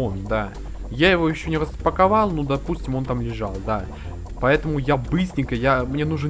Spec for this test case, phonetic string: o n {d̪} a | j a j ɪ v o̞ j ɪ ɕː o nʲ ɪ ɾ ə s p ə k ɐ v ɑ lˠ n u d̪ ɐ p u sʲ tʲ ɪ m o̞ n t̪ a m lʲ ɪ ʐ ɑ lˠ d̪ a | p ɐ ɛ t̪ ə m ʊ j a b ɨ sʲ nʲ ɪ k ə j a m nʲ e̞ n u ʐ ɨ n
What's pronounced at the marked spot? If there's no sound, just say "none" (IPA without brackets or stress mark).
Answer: d̪